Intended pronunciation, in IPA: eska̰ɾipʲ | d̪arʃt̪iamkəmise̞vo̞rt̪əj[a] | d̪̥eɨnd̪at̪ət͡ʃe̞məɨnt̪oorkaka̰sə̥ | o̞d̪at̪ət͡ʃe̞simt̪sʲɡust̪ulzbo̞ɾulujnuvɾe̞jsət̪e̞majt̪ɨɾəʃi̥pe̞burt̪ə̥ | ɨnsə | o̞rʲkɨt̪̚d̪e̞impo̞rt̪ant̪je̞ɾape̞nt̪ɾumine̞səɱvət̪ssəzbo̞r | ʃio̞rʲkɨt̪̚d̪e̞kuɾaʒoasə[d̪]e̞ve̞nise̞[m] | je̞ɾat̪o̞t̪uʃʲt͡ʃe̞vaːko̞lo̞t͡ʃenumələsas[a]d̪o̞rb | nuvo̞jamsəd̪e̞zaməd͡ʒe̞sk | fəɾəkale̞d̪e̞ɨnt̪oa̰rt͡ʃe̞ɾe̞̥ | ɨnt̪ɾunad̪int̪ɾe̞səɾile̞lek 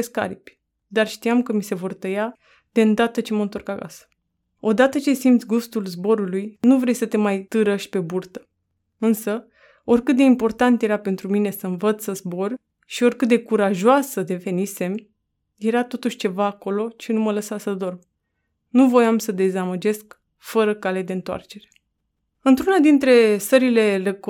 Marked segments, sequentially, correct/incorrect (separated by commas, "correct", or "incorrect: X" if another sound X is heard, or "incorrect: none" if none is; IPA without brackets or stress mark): correct, correct, correct, incorrect: ə